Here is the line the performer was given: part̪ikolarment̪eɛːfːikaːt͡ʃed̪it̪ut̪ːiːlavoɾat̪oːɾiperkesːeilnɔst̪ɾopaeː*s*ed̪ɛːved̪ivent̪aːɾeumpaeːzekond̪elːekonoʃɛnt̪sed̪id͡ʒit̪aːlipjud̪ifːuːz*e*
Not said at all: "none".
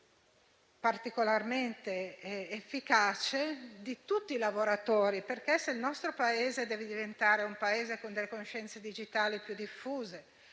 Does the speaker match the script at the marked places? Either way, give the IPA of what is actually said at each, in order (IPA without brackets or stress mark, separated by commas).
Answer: z, e